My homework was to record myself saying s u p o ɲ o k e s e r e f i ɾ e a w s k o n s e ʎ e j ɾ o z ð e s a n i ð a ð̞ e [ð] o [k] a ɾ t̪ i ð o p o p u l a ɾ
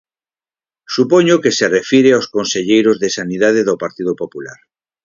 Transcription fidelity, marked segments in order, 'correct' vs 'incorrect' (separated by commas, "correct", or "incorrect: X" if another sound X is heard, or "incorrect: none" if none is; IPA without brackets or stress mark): correct, incorrect: p